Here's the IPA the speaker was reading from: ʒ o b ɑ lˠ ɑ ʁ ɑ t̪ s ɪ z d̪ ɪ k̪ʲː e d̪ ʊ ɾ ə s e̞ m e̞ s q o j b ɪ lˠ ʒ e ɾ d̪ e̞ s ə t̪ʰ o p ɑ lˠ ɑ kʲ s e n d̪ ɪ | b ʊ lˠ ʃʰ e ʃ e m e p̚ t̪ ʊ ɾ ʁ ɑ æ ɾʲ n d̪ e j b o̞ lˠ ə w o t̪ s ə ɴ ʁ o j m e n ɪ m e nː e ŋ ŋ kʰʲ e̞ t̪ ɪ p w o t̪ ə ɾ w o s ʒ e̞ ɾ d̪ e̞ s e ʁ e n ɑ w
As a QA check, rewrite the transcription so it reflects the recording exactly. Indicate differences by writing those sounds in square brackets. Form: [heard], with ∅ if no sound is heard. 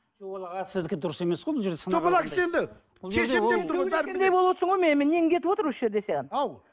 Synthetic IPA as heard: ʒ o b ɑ lˠ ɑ ʁ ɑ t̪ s ɪ z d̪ ɪ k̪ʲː e d̪ ʊ ɾ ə s e̞ m e̞ s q o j b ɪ lˠ ʒ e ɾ d̪ e̞ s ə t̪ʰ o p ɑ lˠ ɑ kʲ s e n d̪ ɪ | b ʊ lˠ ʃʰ e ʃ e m e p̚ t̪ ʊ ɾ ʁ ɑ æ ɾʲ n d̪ e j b o̞ lˠ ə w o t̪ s ə ɴ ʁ o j m e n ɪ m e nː e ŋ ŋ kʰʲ e̞ t̪ ɪ p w o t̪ ə ɾ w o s ʒ e̞ ɾ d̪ e̞ s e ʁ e n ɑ w